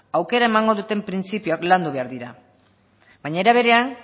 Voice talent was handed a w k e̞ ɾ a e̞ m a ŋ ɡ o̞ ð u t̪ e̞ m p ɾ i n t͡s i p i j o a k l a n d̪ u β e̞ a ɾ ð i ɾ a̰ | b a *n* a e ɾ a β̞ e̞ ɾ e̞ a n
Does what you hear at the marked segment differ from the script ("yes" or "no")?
yes